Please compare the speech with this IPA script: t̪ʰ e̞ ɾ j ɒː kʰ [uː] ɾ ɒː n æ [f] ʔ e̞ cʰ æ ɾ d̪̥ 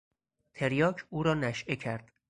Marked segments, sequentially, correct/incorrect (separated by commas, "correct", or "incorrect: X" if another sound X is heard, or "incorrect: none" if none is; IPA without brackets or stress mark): correct, incorrect: ʃ